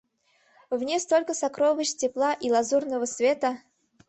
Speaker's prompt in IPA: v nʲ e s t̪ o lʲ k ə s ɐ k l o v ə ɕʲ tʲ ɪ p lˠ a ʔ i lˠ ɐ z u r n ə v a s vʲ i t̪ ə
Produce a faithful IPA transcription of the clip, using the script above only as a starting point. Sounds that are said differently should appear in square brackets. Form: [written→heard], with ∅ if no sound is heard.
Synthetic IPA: v nʲ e s t̪ o lʲ k ə s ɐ k [l→ɾ] o v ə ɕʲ tʲ ɪ p lˠ a ʔ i lˠ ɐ z u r n ə v [a→ə] s vʲ [i→e] t̪ ə